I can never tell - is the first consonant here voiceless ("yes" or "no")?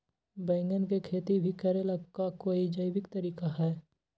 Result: no